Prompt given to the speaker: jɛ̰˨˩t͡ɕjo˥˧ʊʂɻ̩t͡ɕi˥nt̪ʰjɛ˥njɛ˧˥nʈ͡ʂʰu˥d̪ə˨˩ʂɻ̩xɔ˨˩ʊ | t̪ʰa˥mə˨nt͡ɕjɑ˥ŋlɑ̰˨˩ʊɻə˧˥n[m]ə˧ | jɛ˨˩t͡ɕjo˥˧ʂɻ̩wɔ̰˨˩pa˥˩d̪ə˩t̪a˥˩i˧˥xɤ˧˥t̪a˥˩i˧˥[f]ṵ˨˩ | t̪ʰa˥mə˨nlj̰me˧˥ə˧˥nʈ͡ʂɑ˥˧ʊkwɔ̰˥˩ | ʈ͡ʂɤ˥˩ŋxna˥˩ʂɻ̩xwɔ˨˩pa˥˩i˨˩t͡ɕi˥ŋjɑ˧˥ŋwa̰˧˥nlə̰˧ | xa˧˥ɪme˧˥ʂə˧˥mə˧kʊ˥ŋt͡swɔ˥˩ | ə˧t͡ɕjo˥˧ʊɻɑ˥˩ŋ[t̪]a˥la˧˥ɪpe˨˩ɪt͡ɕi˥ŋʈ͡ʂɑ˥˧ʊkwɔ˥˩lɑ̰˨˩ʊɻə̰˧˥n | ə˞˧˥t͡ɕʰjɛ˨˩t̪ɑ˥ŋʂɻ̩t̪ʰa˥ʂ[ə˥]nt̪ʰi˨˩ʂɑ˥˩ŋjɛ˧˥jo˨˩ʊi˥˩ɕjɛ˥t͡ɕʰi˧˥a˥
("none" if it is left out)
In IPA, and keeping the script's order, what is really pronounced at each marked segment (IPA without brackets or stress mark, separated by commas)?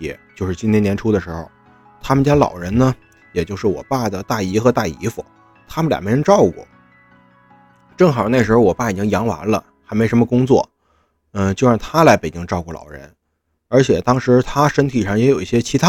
n, f, t̪ʰ, ə˥